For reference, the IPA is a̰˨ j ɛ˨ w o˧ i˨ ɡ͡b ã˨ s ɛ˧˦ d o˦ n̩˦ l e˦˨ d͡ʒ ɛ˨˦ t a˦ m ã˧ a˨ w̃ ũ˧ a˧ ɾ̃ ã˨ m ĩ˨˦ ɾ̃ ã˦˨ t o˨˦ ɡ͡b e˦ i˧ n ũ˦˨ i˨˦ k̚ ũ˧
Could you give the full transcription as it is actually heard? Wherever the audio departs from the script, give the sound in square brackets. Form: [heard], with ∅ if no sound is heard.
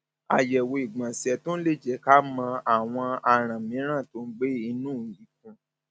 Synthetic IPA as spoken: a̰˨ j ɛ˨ w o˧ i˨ ɡ͡b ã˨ s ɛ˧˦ [t] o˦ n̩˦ l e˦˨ d͡ʒ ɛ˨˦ [k] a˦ m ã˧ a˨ w̃ [ɔ̃˧] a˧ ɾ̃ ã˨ m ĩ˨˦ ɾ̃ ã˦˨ t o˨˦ ɡ͡b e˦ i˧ n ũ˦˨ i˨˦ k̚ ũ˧